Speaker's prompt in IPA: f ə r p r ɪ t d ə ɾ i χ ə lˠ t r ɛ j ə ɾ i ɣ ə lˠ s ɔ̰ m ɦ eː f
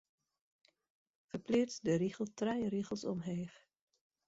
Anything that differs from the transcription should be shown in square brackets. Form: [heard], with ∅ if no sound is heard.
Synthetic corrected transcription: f ə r p [l] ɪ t d ə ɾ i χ ə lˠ t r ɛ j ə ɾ i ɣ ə lˠ s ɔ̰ m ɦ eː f